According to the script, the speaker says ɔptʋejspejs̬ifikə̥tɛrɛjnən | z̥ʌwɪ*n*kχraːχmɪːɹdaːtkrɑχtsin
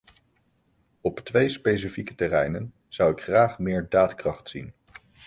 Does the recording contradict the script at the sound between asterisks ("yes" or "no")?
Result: yes